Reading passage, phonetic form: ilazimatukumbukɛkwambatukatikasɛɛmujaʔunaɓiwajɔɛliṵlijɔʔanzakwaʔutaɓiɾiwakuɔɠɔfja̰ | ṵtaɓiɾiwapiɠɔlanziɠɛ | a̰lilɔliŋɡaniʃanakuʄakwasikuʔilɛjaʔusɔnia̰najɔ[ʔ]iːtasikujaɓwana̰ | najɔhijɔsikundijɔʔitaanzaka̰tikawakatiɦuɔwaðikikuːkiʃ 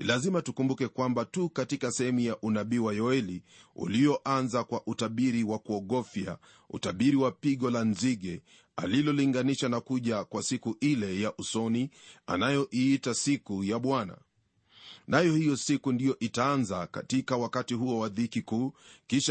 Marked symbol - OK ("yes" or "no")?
yes